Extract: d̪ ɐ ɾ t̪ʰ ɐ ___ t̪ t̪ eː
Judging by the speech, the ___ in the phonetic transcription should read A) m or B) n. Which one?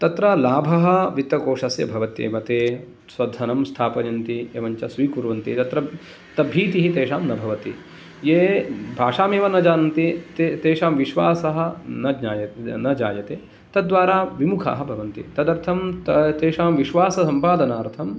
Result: A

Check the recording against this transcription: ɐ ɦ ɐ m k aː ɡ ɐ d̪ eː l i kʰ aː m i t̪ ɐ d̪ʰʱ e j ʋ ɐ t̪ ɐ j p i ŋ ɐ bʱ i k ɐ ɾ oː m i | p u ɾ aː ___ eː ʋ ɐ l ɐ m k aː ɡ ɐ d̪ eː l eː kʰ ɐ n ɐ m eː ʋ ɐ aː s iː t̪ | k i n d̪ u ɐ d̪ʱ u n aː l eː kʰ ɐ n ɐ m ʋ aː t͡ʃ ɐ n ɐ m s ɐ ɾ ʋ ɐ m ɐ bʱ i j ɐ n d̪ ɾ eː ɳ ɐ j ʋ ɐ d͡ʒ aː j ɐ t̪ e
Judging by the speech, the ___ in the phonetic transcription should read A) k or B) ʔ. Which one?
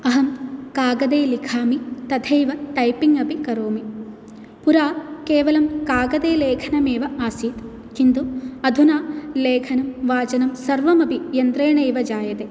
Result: A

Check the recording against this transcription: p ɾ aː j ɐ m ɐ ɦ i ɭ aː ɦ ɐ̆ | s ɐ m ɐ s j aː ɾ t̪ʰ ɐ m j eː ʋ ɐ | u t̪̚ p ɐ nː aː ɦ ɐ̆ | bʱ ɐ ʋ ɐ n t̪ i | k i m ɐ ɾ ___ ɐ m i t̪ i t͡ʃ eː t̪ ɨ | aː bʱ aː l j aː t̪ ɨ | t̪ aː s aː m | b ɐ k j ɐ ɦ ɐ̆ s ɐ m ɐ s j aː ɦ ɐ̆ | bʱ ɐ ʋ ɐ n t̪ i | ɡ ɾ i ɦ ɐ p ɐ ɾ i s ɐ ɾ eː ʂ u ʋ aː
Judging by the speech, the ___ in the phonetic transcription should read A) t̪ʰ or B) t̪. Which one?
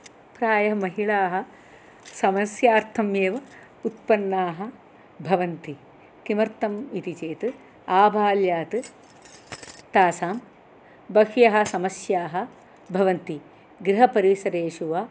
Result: B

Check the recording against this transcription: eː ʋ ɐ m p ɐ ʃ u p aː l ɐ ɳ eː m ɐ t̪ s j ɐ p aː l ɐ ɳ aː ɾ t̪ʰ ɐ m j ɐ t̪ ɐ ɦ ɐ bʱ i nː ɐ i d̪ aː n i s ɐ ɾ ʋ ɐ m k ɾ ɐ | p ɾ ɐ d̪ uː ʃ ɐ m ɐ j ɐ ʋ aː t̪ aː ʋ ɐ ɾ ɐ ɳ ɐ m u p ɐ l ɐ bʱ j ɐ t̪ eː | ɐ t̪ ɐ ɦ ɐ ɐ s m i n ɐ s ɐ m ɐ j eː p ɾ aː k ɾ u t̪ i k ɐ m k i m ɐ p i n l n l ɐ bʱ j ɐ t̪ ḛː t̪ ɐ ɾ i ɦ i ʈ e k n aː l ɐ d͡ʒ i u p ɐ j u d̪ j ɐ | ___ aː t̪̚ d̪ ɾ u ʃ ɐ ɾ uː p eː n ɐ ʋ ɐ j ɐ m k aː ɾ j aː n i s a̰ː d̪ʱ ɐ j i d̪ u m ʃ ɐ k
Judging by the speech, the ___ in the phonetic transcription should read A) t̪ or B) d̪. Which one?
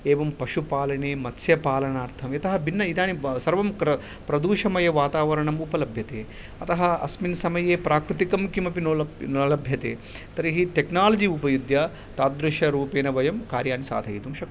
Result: A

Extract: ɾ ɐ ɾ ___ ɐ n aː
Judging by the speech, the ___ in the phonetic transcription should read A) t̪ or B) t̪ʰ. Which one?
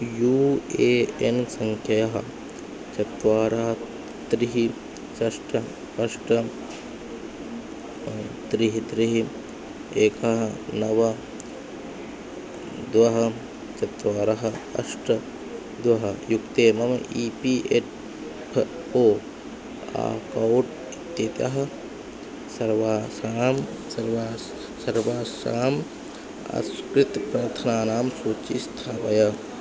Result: B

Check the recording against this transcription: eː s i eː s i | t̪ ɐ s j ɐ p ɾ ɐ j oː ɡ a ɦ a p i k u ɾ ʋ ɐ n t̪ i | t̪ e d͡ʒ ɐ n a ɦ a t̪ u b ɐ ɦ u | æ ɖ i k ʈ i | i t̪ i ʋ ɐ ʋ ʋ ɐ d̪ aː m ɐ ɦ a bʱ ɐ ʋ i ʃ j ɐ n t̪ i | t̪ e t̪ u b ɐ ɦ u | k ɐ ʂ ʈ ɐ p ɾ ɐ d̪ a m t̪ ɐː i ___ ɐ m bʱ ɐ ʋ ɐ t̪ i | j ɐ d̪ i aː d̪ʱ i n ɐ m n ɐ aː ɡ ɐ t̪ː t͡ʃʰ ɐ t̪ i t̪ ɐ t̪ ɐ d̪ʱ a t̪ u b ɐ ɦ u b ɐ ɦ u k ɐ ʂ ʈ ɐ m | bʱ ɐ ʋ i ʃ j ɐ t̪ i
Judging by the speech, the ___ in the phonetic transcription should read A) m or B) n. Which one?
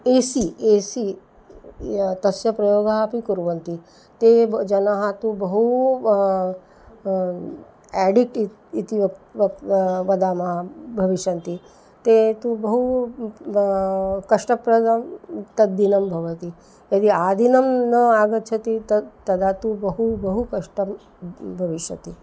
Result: B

